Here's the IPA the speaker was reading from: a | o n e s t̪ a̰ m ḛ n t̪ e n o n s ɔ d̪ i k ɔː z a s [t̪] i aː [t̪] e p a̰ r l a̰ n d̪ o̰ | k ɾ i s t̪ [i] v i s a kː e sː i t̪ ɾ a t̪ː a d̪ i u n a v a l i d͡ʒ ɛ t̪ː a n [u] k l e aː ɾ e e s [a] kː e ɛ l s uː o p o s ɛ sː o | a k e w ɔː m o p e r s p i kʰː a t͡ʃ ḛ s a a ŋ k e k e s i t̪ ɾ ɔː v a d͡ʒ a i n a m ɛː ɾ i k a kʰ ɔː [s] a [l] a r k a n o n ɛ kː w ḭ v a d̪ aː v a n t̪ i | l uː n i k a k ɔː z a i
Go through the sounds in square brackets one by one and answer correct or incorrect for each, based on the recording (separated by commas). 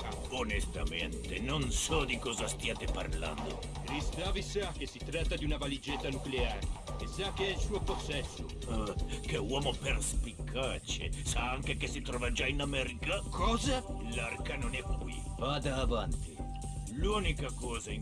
correct, correct, incorrect, correct, correct, incorrect, correct